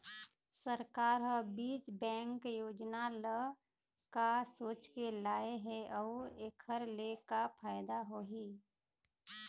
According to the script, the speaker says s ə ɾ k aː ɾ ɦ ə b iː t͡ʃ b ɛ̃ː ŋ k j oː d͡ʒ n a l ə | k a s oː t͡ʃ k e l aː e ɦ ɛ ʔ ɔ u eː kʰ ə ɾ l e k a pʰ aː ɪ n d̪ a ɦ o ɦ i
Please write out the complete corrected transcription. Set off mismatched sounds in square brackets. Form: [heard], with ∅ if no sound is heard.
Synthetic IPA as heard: s ə ɾ k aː ɾ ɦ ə b iː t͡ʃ b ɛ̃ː ŋ k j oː d͡ʒ n a l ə | k a s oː t͡ʃ k e l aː e ɦ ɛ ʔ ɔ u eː kʰ ə ɾ l e k a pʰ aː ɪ [∅] d̪ a ɦ o ɦ i

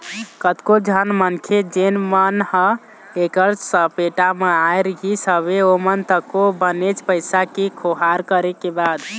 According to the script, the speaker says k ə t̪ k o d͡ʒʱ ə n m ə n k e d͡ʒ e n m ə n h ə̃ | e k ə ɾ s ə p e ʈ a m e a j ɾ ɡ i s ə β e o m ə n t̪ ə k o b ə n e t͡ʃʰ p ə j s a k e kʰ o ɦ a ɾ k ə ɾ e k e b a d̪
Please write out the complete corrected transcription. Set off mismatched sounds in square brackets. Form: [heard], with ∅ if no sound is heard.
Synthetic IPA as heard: k ə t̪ k o d͡ʒʱ ə n m ə n [kʰ] e d͡ʒ e n m ə n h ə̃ | e k ə ɾ s ə p e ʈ a m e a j ɾ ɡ i s ə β e o m ə n t̪ ə k o b ə n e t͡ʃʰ p ə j s a k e kʰ o ɦ a ɾ k ə ɾ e k e b a d̪

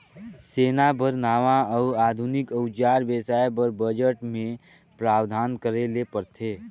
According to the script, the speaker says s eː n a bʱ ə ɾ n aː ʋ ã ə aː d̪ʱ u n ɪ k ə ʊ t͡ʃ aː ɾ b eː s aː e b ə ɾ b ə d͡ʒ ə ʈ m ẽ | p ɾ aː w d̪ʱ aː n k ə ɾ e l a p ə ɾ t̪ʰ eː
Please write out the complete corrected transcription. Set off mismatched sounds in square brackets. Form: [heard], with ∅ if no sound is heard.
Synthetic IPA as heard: s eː n a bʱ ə ɾ n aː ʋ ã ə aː d̪ʱ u n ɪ k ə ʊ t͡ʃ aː ɾ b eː s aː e b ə ɾ b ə d͡ʒ ə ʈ m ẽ | p ɾ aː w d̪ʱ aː n k ə ɾ e l [e] p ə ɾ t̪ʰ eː

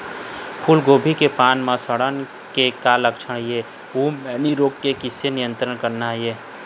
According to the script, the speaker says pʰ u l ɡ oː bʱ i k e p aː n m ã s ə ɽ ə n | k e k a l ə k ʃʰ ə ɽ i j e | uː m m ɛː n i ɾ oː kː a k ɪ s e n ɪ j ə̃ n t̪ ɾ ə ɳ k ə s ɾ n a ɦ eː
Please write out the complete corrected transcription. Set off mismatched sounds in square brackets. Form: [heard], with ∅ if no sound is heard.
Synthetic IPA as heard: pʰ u l ɡ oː bʱ i k e p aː n m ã s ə ɽ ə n | k e k a l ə k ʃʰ ə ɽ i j e | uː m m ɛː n i ɾ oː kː [e] k ɪ s e n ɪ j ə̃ n t̪ ɾ ə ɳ k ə [∅] ɾ n a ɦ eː

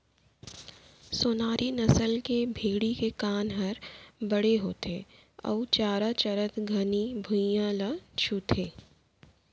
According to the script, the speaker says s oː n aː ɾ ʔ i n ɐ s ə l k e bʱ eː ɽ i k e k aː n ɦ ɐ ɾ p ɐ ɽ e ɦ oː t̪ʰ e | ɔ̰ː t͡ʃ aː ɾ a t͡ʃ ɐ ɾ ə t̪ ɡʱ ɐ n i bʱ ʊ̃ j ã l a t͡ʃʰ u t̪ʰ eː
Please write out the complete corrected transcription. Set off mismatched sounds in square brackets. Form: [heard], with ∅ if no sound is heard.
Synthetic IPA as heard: s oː n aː ɾ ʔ i n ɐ s ə l k e bʱ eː ɽ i k e k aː n ɦ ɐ ɾ [b] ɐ ɽ e ɦ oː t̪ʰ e | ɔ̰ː t͡ʃ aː ɾ a t͡ʃ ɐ ɾ ə t̪ ɡʱ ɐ n i bʱ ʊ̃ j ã l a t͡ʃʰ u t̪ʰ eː

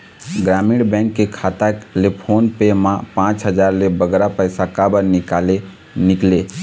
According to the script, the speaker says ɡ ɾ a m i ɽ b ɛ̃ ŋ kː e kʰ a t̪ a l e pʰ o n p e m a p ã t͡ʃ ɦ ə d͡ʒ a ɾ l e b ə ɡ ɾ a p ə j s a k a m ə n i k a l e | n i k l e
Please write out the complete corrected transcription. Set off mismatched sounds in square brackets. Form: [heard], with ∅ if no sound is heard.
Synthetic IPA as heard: ɡ ɾ a m i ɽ b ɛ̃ ŋ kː e kʰ a t̪ a l e pʰ o n p e m a p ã t͡ʃ ɦ ə d͡ʒ a ɾ l e b ə ɡ ɾ a p ə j s a k a [b] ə n i k a l e | n i k l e

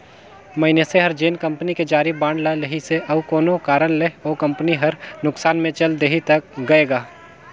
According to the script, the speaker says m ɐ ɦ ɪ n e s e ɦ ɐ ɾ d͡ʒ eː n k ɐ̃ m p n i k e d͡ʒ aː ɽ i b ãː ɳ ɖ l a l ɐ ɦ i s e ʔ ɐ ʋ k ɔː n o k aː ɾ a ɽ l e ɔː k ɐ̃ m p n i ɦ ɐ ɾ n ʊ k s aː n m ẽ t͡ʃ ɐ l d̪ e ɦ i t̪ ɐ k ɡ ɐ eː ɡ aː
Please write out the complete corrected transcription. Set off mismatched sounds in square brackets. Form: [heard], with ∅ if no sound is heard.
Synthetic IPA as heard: m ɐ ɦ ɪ n e s e ɦ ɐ ɾ d͡ʒ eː n k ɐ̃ m p n i k e d͡ʒ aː [ɾ] i b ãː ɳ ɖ l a l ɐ ɦ i s e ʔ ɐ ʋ k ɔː n o k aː ɾ [ə] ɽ l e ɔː k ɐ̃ m p n i ɦ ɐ ɾ n ʊ k s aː n m ẽ t͡ʃ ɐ l d̪ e ɦ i t̪ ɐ k ɡ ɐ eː ɡ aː

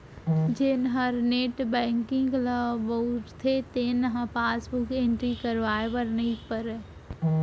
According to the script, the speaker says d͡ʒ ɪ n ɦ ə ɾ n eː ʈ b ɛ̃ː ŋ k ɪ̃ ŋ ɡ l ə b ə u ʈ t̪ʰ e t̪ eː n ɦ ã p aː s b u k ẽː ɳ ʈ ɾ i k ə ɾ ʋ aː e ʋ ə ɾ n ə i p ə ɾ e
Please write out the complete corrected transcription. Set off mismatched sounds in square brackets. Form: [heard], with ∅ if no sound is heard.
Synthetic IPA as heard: d͡ʒ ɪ n ɦ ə ɾ n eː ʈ b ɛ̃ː ŋ k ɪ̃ ŋ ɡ l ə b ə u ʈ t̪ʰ e t̪ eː n ɦ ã p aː s b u k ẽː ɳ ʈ ɾ i k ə ɾ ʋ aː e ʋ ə ɾ n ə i p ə ɾ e

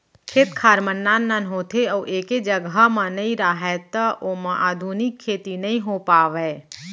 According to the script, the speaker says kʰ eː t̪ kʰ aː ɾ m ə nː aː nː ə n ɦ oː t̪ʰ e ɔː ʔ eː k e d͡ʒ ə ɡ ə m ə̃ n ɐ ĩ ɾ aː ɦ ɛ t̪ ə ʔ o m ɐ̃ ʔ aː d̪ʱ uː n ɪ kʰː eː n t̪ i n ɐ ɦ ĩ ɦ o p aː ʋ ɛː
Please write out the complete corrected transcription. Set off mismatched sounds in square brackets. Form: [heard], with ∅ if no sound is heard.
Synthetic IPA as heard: kʰ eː t̪ kʰ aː ɾ m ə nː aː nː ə n ɦ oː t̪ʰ e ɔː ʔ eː k e d͡ʒ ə ɡ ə m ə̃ n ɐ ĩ ɾ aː ɦ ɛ t̪ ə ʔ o m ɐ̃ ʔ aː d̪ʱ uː n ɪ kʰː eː [∅] t̪ i n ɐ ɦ ĩ ɦ o p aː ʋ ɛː

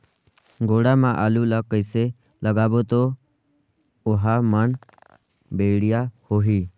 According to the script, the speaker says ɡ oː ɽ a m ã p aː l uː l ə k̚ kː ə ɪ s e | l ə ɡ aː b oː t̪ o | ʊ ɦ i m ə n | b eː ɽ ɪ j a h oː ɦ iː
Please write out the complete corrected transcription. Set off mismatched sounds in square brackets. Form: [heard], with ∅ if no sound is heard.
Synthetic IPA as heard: ɡ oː ɽ a m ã [ʔ] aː l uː l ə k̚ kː ə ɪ s e | l ə ɡ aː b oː t̪ o | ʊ ɦ [a] m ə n | b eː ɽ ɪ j a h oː ɦ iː

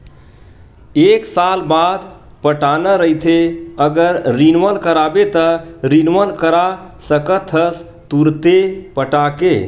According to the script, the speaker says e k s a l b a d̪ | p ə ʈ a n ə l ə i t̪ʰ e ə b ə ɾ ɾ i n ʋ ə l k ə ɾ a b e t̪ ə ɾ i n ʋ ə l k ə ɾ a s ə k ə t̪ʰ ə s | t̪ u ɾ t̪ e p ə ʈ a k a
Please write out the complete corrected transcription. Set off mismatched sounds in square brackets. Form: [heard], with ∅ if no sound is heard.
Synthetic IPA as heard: e k s a l b a d̪ | p ə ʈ a n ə [ɾ] ə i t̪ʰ e ə [ɡ] ə ɾ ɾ i n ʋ ə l k ə ɾ a b e t̪ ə ɾ i n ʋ ə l k ə ɾ a s ə k ə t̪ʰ ə s | t̪ u ɾ t̪ e p ə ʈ a k [e]

